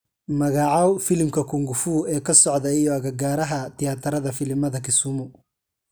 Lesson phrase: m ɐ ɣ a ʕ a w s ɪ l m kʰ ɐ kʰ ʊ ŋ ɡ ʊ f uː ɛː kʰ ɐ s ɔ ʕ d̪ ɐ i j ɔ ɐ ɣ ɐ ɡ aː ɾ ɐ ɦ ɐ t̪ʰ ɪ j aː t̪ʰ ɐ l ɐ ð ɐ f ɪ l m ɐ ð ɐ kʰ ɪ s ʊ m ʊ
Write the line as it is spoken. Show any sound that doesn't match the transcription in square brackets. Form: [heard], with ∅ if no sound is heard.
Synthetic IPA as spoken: m ɐ ɣ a ʕ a w [f] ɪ l m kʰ ɐ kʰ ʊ ŋ ɡ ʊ f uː ɛː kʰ ɐ s ɔ ʕ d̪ ɐ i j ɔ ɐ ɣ ɐ ɡ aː ɾ ɐ ɦ ɐ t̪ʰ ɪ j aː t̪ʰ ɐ [ɾ] ɐ ð ɐ f ɪ l m ɐ ð ɐ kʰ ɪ s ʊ m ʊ

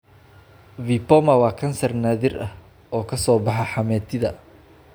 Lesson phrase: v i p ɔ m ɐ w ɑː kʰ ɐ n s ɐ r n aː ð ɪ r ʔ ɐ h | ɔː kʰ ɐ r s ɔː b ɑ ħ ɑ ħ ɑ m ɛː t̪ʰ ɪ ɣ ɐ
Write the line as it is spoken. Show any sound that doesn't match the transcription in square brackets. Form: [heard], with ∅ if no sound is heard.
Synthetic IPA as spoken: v i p ɔ m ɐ w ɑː kʰ ɐ n s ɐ r n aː ð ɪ r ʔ ɐ h | ɔː kʰ ɐ [∅] s ɔː b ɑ ħ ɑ ħ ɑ m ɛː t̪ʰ ɪ [ð] ɐ

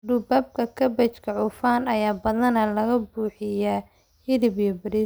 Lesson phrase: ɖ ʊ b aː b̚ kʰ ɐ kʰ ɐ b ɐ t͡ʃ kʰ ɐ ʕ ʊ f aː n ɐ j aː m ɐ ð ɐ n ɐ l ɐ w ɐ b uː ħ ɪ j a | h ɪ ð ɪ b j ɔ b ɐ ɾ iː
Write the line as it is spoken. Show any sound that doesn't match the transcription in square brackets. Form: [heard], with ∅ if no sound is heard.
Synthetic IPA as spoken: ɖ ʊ b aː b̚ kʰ ɐ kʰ ɐ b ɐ t͡ʃ kʰ ɐ ʕ ʊ f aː n ɐ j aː [b] ɐ ð ɐ n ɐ l ɐ [ɣ] ɐ b uː ħ ɪ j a | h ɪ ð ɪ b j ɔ b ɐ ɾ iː

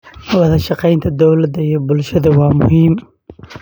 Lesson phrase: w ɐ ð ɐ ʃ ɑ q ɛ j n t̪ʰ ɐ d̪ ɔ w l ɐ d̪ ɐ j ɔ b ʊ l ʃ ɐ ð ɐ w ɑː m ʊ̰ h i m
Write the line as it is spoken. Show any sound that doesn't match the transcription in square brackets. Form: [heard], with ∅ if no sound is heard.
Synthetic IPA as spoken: w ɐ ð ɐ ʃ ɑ q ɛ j n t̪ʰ ɐ d̪ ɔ w l ɐ d̪ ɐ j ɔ b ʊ l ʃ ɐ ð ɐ w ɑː m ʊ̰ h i m

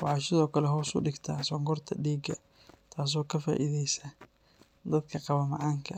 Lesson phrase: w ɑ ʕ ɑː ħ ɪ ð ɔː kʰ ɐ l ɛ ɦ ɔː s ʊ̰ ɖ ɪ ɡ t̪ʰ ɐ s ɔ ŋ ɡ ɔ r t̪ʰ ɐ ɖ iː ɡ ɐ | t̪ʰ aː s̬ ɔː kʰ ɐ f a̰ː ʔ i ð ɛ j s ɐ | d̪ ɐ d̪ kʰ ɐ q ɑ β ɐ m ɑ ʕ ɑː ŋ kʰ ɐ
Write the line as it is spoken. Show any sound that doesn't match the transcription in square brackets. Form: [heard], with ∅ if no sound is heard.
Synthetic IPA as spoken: w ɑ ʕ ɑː [ʃ] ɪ ð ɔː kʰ ɐ l ɛ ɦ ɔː s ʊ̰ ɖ ɪ ɡ t̪ʰ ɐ s ɔ ŋ ɡ ɔ r t̪ʰ ɐ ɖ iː ɡ ɐ | t̪ʰ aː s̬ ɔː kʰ ɐ f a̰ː ʔ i ð ɛ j s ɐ | d̪ ɐ d̪ kʰ ɐ q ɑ β ɐ m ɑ ʕ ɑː ŋ kʰ ɐ

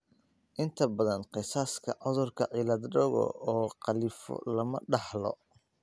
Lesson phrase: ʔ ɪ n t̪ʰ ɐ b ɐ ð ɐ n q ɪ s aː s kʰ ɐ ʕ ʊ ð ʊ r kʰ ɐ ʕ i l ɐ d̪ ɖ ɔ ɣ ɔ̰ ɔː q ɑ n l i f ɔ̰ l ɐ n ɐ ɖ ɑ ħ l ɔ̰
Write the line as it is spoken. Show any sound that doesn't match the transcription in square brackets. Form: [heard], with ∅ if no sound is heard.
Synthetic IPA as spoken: ʔ ɪ n t̪ʰ ɐ b ɐ ð ɐ n q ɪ s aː s kʰ ɐ ʕ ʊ ð ʊ r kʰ ɐ ʕ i l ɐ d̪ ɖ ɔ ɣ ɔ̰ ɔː q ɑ [∅] l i f ɔ̰ l ɐ [m] ɐ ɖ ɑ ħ l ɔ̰

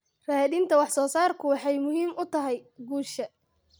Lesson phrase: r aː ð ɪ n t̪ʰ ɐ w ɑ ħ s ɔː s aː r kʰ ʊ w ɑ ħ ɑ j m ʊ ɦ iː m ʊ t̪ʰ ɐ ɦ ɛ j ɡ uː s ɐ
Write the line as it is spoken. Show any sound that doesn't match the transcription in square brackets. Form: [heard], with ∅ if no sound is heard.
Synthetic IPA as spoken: r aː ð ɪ n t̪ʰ ɐ w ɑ ħ s ɔː s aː r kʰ ʊ w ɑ ħ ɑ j m ʊ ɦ iː m ʊ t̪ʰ ɐ ɦ ɛ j ɡ uː [ʃ] ɐ

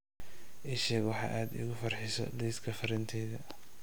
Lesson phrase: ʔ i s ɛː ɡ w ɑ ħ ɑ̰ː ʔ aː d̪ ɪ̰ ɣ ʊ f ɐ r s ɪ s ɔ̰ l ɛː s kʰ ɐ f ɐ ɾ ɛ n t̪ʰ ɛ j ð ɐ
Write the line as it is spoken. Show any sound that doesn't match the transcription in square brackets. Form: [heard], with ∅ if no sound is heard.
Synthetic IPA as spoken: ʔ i [ʃ] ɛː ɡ w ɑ ħ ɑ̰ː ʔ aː d̪ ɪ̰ ɣ ʊ f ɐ r [ħ] ɪ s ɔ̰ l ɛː s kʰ ɐ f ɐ ɾ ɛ n t̪ʰ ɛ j ð ɐ

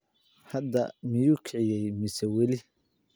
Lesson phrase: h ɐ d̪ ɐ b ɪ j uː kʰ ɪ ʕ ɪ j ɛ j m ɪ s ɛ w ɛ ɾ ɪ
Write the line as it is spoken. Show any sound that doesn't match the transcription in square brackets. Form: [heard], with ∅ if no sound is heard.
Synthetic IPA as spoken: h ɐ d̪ ɐ [m] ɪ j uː kʰ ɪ ʕ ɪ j ɛ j m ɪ s ɛ w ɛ [l] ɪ

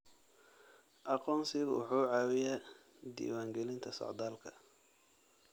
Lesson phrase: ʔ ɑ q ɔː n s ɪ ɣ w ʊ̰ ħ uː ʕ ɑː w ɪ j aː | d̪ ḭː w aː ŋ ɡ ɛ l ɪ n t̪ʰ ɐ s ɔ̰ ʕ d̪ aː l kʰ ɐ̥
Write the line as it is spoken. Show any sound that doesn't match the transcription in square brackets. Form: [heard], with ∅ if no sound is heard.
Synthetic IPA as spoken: ʔ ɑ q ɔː n s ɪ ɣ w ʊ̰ ħ uː ʕ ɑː w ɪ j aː | d̪ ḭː w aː ŋ ɡ ɛ l ɪ n t̪ʰ ɐ s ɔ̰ ʕ d̪ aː l kʰ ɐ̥

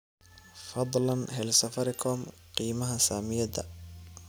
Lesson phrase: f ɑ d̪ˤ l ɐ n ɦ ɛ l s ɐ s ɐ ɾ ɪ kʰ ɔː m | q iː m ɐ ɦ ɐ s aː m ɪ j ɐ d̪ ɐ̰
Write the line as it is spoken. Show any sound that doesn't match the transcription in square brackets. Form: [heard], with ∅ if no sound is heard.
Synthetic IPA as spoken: f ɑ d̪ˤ l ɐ n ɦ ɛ l s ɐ [f] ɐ ɾ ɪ kʰ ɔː m | q iː m ɐ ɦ ɐ s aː m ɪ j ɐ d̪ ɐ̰

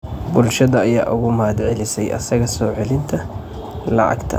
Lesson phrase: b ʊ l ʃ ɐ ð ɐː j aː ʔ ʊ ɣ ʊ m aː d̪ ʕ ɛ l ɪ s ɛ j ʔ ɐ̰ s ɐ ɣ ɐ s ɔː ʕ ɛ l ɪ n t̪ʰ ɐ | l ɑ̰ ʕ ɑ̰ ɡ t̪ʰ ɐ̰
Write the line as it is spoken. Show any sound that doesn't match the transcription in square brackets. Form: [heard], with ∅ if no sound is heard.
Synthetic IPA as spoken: b ʊ l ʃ ɐ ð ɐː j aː ʔ ʊ ɣ ʊ m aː d̪ ʕ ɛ l ɪ s ɛ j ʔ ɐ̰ s ɐ ɣ ɐ s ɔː ʕ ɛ l ɪ n t̪ʰ ɐ | l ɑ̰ ʕ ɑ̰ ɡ t̪ʰ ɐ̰

